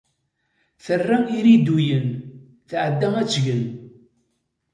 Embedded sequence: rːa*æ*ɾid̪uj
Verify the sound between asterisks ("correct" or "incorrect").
incorrect